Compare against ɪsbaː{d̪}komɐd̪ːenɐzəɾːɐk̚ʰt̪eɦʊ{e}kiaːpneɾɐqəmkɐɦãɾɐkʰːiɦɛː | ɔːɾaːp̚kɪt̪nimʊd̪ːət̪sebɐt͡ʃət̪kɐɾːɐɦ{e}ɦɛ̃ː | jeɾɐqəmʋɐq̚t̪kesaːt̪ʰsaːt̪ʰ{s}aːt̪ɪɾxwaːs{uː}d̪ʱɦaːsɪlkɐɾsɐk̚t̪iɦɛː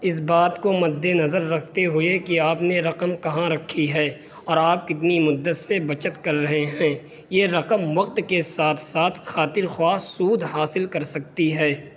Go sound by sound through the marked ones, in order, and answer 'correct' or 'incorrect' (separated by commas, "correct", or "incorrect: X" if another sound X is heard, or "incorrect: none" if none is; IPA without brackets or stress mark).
incorrect: t̪, correct, correct, incorrect: x, correct